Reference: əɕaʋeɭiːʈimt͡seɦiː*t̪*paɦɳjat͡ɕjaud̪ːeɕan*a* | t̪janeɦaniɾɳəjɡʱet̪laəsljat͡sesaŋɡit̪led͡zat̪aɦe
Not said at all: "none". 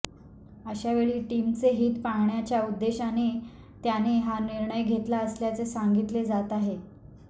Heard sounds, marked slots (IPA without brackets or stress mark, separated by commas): t̪, e